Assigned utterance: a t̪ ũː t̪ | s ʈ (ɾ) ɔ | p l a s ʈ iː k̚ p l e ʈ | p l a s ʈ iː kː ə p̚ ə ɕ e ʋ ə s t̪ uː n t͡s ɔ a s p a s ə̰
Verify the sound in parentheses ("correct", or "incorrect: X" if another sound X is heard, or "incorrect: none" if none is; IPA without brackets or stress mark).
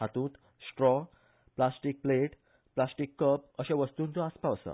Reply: correct